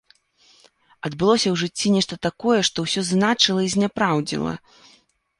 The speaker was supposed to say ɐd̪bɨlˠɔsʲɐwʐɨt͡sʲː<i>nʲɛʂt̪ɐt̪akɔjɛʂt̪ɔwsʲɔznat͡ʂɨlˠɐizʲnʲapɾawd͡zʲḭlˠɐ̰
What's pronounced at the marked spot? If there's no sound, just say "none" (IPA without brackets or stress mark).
i